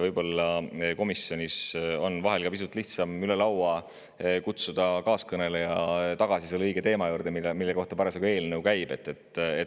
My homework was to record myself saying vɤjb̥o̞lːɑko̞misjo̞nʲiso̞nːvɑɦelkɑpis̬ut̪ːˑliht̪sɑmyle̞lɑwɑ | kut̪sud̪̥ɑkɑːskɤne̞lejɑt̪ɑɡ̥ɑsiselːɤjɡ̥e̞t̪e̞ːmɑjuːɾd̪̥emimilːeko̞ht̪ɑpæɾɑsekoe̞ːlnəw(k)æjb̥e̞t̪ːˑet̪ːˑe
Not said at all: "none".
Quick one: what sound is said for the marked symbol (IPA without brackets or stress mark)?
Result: k